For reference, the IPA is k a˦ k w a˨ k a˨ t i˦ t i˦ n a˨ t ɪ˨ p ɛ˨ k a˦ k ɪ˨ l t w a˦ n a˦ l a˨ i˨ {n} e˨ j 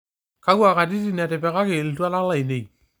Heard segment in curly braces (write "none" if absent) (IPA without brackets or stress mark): n